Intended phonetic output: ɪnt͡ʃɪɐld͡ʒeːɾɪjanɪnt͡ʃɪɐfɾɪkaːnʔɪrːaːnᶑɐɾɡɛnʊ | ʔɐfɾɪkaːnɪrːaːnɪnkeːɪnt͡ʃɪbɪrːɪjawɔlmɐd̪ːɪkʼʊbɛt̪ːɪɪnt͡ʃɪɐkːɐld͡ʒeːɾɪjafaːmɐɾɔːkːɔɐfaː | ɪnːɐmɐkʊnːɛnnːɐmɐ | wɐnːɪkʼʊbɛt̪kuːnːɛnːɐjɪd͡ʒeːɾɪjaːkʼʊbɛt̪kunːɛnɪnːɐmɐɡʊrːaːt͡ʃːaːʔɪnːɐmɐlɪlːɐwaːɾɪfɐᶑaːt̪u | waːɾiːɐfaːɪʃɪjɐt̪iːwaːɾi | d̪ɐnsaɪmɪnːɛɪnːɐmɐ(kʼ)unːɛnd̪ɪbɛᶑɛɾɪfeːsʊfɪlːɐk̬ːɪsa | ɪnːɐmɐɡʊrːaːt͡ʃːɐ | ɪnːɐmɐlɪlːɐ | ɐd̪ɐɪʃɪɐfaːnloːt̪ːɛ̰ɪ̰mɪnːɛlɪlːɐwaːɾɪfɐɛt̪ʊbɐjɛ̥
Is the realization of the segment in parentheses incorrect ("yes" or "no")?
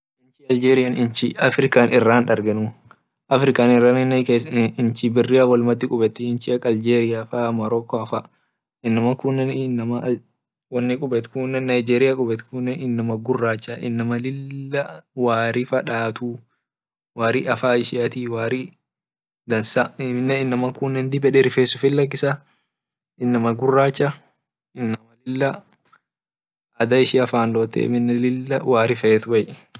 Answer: yes